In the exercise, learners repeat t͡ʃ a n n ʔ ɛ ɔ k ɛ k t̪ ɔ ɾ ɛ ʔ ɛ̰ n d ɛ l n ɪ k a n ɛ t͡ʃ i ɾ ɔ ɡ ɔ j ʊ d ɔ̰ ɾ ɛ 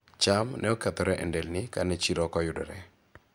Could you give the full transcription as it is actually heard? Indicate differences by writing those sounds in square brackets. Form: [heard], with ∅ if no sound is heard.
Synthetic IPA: t͡ʃ a [m] n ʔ ɛ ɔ k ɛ [∅] t̪ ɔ ɾ ɛ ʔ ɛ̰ n d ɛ l n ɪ k a n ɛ t͡ʃ i ɾ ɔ [k] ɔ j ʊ d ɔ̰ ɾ ɛ